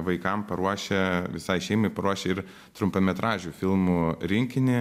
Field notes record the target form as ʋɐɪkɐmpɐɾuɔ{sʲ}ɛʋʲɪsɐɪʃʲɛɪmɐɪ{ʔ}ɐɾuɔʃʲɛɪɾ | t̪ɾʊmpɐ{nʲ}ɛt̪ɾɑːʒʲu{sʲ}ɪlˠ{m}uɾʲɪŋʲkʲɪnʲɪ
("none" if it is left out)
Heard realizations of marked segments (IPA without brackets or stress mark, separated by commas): ʃʲ, p, mʲ, fʲ, m